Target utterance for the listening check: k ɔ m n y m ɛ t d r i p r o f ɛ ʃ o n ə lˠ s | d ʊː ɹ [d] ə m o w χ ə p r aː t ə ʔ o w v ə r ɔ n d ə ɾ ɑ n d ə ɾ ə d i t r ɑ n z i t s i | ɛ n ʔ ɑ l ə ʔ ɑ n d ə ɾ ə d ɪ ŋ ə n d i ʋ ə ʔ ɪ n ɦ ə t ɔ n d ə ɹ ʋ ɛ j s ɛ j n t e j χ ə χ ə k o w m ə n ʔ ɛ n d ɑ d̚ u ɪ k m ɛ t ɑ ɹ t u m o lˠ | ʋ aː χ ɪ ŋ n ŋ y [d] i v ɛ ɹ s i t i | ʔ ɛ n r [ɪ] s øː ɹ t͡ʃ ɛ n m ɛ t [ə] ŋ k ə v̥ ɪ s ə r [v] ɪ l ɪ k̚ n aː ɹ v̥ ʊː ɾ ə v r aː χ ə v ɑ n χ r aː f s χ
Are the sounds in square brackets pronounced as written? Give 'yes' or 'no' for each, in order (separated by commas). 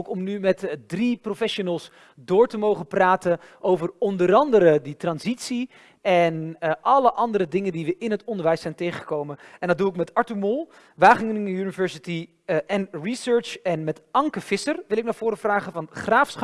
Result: no, no, no, no, no